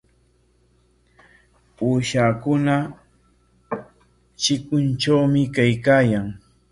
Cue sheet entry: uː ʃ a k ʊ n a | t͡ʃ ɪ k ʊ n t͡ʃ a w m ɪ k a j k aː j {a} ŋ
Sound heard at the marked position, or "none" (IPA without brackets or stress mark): a